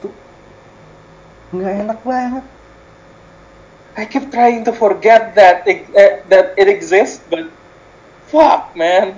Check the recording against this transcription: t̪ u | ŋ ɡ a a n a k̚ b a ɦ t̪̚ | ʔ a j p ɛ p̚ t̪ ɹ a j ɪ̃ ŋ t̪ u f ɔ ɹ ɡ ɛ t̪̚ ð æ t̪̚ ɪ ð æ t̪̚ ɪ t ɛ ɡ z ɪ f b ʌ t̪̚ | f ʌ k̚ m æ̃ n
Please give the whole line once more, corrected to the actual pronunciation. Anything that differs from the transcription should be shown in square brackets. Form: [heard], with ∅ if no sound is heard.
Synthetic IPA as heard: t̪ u | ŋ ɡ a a n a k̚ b a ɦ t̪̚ | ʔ a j [k] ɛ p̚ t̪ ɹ a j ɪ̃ ŋ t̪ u f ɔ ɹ ɡ ɛ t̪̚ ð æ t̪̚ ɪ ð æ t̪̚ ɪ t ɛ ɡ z ɪ [s] b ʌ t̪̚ | f ʌ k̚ m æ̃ n